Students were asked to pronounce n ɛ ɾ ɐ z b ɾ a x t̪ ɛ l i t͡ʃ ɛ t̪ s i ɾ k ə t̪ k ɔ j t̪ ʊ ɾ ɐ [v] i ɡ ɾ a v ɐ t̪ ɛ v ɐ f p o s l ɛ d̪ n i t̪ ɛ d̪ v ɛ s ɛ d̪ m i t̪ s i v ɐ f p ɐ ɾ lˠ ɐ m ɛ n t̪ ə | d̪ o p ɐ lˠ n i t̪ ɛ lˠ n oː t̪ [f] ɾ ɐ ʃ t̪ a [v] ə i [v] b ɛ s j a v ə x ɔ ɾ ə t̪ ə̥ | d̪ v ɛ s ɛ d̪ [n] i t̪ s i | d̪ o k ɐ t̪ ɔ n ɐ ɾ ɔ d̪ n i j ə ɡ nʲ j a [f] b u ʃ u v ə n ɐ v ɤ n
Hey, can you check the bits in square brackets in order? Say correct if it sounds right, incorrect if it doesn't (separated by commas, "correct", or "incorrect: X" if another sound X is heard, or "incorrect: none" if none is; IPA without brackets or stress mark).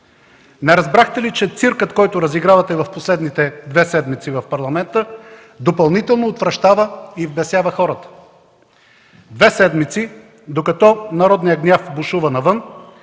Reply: incorrect: z, incorrect: v, correct, correct, incorrect: m, correct